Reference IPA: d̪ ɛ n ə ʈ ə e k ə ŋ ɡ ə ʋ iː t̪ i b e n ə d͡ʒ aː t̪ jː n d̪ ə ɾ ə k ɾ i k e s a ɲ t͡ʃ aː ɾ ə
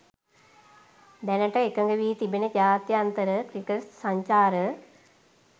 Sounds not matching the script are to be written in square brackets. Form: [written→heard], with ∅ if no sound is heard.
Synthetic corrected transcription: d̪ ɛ n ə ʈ ə e k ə ŋ ɡ ə ʋ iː t̪ i b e n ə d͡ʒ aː t̪ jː n [d̪→t̪] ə ɾ ə k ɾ i k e s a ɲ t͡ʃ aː ɾ ə